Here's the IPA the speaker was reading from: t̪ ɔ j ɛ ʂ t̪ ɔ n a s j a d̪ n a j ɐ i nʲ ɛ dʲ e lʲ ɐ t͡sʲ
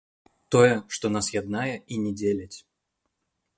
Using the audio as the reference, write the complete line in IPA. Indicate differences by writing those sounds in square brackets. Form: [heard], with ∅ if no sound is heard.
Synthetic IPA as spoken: t̪ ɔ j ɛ ʂ t̪ ɔ n a s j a d̪ n a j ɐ i nʲ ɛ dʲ e lʲ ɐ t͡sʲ